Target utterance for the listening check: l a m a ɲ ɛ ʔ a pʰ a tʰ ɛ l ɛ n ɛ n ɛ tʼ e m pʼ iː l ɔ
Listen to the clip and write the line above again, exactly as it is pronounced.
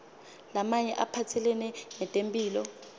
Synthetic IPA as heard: l a m a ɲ ɛ ʔ a pʰ a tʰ ɛ l ɛ n ɛ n ɛ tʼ e m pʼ iː l ɔ

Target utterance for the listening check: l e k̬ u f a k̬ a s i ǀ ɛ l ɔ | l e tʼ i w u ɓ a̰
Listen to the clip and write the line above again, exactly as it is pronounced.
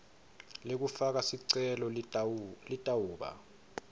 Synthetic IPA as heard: l e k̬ u f a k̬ a s i ǀ ɛ l ɔ | l i tʼ a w uː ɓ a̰

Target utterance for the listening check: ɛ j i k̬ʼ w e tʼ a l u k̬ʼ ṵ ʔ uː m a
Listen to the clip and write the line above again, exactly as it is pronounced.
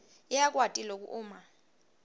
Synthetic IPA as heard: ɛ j a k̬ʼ w a tʼ i l o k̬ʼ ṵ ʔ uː m a

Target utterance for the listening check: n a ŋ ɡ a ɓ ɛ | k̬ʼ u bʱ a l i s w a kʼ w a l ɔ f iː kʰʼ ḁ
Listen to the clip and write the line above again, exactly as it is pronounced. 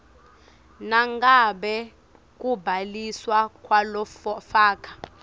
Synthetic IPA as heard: n a ŋ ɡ a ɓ ɛ | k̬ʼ u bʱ a l i s w a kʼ w a l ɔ f aː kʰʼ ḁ

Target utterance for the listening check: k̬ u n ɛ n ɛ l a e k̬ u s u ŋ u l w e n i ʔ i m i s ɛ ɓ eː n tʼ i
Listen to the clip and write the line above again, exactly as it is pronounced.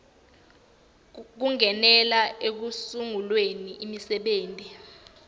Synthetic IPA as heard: k̬ u ŋ ɛ n ɛ l a e k̬ u s u ŋ u l w e n i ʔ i m i s ɛ ɓ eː n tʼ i

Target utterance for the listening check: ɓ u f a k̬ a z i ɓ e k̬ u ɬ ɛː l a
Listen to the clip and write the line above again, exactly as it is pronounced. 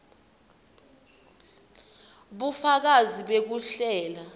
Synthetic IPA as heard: ɓ u f a k̬ a z i ɓ e k̬ u ɬ ɛː l a

